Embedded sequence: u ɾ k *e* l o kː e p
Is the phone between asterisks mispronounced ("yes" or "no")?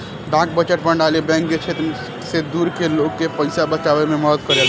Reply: no